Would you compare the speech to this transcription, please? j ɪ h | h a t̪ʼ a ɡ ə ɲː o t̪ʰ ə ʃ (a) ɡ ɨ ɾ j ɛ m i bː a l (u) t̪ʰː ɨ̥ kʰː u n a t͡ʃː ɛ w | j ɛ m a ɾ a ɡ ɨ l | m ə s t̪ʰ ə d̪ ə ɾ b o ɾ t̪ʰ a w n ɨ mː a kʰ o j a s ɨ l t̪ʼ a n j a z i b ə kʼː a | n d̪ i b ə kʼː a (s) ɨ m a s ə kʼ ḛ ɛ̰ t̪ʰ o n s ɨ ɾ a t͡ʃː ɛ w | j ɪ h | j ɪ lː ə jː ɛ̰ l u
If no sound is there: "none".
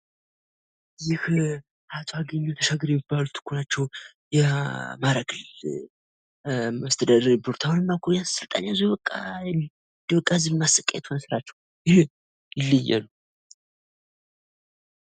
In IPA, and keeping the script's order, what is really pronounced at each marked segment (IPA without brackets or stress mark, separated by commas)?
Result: a, u, z